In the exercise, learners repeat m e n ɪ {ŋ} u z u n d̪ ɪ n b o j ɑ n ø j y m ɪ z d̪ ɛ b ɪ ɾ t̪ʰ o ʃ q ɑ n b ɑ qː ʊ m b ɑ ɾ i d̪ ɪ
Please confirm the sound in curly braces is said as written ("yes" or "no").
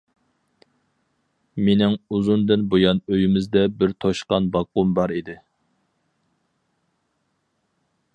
yes